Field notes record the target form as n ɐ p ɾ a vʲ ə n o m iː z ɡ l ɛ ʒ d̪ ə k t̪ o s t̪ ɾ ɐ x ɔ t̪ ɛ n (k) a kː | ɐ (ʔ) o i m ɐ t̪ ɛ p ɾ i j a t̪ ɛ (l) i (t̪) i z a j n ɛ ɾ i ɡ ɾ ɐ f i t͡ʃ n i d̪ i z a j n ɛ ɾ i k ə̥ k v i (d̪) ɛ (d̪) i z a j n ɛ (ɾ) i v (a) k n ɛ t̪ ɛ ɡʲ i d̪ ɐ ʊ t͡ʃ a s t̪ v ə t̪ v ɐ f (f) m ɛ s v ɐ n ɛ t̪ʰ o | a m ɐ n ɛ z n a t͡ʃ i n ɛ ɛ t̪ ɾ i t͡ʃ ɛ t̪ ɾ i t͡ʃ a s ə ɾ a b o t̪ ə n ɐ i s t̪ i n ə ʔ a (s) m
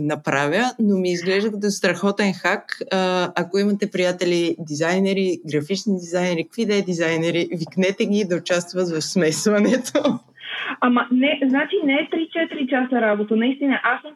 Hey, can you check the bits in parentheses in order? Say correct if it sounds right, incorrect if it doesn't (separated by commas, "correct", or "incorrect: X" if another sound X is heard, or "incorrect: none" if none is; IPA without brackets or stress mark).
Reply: incorrect: x, incorrect: k, correct, incorrect: d̪, correct, correct, correct, incorrect: i, incorrect: s, correct